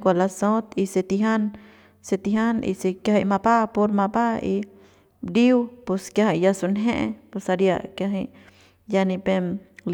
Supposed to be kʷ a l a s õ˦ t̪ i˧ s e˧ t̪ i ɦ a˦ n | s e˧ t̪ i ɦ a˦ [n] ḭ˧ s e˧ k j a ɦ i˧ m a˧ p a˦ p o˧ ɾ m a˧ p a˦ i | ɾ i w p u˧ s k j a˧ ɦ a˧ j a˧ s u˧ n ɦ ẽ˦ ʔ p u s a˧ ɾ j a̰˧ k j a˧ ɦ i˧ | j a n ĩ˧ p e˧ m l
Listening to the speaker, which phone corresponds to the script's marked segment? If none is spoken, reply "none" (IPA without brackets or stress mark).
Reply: n